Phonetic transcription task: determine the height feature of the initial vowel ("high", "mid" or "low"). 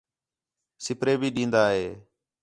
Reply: high